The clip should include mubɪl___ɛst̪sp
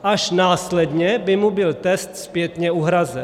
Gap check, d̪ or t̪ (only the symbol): t̪